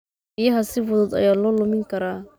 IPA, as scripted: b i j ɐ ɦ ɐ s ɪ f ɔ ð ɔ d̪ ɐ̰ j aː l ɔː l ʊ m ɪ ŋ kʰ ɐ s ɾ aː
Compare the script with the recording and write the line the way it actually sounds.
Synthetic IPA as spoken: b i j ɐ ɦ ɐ s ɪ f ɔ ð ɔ d̪ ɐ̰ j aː l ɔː l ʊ m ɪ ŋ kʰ ɐ ɾ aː